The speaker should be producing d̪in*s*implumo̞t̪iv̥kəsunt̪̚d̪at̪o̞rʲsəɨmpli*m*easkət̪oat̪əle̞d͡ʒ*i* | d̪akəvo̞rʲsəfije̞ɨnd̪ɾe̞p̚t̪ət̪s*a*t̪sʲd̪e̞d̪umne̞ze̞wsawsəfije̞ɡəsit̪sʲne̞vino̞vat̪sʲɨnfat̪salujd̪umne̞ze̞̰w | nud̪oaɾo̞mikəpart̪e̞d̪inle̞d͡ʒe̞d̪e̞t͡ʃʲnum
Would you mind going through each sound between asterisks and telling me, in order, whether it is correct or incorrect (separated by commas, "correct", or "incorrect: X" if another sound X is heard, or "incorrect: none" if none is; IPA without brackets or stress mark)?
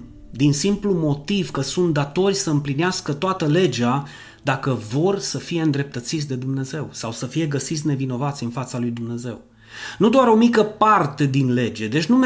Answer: correct, incorrect: n, incorrect: a, incorrect: i